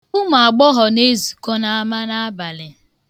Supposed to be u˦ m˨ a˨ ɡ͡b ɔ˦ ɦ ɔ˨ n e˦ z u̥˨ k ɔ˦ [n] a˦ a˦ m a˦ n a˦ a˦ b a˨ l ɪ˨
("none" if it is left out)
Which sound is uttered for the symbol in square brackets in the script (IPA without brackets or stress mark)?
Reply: n